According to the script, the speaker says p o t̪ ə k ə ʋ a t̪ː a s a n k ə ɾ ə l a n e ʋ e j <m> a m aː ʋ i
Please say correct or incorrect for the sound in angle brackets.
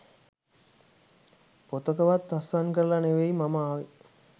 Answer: correct